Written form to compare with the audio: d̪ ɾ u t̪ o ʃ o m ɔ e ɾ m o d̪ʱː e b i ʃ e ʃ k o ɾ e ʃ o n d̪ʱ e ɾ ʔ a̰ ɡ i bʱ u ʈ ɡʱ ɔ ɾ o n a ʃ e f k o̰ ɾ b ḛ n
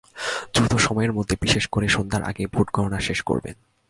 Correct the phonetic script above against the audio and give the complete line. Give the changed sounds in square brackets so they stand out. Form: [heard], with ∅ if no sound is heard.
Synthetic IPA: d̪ ɾ u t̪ o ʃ [ɔ] m ɔ e ɾ m o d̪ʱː e b i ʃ e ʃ k o ɾ e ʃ o n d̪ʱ [a] ɾ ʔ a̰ ɡ [e] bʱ u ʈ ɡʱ ɔ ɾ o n a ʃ e [ʃ] k o̰ ɾ b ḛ n

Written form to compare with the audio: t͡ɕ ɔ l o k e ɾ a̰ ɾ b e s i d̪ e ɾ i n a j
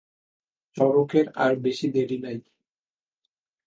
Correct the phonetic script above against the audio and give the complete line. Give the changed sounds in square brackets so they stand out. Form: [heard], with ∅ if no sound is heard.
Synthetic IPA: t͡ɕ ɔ [ɾ] o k e ɾ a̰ ɾ b e [ʃ] i d̪ e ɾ i n a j

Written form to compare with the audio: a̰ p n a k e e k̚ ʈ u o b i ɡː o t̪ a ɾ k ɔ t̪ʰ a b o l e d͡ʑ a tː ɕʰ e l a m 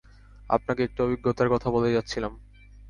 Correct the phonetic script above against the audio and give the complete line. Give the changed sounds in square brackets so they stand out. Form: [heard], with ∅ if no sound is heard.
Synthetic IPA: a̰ p n a k e e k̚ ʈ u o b i ɡː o t̪ a ɾ k ɔ t̪ʰ a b o l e d͡ʑ a tː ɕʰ [i] l a m

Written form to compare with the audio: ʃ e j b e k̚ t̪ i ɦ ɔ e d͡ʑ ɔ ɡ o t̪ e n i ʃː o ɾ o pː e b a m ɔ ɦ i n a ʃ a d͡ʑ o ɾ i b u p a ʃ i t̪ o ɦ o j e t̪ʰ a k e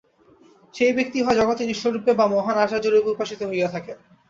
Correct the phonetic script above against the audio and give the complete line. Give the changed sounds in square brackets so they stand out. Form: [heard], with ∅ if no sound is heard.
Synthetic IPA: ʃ e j b e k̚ t̪ i ɦ ɔ e d͡ʑ ɔ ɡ o t̪ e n i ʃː o ɾ [u] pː e b a m ɔ ɦ [a] n a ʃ a d͡ʑ o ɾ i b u p a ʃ i t̪ o ɦ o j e t̪ʰ a k e

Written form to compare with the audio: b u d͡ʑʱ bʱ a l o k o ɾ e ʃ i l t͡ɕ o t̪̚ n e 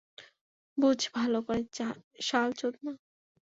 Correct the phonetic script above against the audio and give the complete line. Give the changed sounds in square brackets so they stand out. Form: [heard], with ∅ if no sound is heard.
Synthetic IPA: b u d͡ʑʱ bʱ a l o k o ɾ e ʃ [a] l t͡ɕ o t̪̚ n [a]

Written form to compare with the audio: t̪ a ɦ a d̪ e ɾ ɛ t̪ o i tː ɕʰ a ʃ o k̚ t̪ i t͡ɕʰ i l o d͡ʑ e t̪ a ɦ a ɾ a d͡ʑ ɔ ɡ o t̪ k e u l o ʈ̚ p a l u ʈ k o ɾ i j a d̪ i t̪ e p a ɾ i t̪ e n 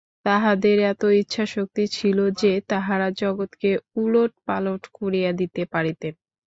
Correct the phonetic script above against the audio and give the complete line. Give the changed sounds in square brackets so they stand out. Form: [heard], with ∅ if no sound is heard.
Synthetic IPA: t̪ a ɦ a d̪ e ɾ ɛ t̪ o i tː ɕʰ a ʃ o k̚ t̪ i t͡ɕʰ i l o d͡ʑ e t̪ a ɦ a ɾ a d͡ʑ ɔ ɡ o t̪ k e u l o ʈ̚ p a l [o] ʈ k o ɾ i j a d̪ i t̪ e p a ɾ i t̪ e n

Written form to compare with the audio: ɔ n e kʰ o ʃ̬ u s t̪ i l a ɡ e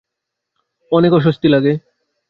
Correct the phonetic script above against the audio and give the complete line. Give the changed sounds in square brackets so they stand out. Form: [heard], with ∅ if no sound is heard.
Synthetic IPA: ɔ n e [k] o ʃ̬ [o] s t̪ i l a ɡ e

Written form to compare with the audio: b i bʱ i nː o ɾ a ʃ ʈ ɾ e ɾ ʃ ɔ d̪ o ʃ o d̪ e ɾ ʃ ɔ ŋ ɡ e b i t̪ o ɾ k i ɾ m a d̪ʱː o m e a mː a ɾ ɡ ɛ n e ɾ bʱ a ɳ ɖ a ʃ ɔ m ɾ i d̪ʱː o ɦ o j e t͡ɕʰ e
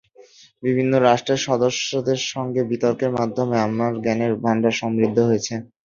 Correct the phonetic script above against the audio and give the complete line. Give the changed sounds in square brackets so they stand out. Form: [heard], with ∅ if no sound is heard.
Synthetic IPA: b i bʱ i nː o ɾ a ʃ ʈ ɾ e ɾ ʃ ɔ d̪ o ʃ o d̪ e ɾ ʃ ɔ ŋ ɡ e b i t̪ o ɾ k [e] ɾ m a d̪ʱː o m e a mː a ɾ ɡ ɛ n e ɾ bʱ a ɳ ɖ a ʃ ɔ m ɾ i d̪ʱː o ɦ o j e t͡ɕʰ e

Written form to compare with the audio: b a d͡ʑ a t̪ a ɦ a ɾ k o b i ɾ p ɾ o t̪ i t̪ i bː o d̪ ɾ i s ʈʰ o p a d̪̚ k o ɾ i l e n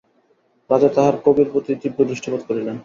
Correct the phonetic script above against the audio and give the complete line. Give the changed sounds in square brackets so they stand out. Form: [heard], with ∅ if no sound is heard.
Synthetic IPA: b a d͡ʑ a t̪ a ɦ a ɾ k o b i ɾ p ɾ o t̪ i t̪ i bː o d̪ ɾ i [ʃ] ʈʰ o p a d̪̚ k o ɾ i l e n

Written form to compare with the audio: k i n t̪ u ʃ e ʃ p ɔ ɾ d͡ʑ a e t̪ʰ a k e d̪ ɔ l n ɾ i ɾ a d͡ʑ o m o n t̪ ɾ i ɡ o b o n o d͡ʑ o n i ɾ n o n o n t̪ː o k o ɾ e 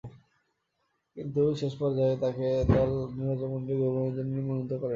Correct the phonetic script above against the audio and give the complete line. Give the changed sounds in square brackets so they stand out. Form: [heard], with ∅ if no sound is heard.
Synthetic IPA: k i n t̪ u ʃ e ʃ p ɔ ɾ d͡ʑ a e [t̪] a k e d̪ ɔ l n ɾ i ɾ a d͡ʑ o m o n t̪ ɾ i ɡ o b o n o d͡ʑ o n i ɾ [m] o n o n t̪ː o k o ɾ e

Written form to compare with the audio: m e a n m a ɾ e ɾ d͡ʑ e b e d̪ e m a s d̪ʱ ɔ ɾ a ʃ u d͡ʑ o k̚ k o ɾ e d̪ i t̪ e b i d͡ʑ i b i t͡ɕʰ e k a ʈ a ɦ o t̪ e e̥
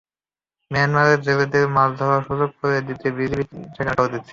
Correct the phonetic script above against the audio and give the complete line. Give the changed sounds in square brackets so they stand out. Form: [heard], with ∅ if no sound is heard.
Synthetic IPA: m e a n m a ɾ e ɾ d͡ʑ e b e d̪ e m a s d̪ʱ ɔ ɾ a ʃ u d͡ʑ o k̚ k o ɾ e d̪ i t̪ e b i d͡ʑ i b i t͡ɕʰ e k a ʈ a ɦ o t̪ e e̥

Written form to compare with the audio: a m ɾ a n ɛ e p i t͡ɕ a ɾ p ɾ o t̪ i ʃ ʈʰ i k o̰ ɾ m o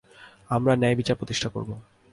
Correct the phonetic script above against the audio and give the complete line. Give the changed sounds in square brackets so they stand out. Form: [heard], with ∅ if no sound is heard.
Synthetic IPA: a m ɾ a n ɛ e [b] i t͡ɕ a ɾ p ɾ o t̪ i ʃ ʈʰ [a] k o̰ ɾ [b] o

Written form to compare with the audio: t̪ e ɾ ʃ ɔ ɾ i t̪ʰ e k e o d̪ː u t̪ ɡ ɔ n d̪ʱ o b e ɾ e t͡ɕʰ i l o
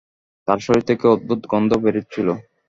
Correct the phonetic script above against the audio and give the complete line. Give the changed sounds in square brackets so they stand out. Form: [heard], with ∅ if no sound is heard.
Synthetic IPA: t̪ [a] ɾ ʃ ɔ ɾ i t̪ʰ e k e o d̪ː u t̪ ɡ ɔ n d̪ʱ o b e ɾ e t͡ɕʰ i l o

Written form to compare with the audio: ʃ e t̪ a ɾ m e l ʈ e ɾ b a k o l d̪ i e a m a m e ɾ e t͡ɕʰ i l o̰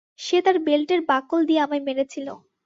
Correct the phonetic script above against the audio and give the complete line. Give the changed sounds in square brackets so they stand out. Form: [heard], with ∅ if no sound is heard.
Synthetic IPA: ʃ e t̪ a ɾ [b] e l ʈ e ɾ b a k o l d̪ i e a m a m e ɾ e t͡ɕʰ i l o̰

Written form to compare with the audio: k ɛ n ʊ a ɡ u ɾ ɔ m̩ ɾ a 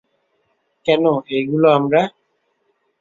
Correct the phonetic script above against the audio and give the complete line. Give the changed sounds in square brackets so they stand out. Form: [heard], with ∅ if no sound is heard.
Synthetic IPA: k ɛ n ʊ [e] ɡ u [l] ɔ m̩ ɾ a

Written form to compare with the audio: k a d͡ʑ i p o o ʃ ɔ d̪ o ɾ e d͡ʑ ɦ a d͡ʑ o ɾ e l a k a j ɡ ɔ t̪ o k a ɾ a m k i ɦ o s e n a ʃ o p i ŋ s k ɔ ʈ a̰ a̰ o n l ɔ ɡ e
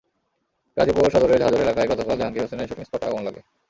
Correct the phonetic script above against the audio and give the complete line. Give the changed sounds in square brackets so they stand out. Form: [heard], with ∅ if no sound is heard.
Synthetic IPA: k a d͡ʑ i p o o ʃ ɔ d̪ o ɾ e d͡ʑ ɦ a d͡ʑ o ɾ e l a k a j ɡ ɔ t̪ o k a [l] a [ŋ] k i ɦ o s e n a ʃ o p i ŋ s [p] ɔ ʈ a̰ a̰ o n l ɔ ɡ e

